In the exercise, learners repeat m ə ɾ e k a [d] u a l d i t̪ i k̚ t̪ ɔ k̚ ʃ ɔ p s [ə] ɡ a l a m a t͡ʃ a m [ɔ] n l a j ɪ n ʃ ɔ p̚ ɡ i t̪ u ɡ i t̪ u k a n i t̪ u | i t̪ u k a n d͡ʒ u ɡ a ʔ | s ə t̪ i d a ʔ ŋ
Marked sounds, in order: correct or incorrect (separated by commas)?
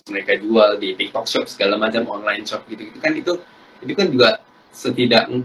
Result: incorrect, correct, correct